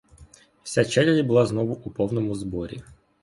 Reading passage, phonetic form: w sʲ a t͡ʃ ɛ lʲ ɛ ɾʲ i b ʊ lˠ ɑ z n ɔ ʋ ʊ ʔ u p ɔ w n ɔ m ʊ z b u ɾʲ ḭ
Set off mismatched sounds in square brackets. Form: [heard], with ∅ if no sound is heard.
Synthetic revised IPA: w sʲ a t͡ʃ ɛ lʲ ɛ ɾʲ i b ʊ lˠ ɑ z n ɔ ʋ ʊ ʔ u p ɔ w n ɔ m ʊ z b [ɔ] ɾʲ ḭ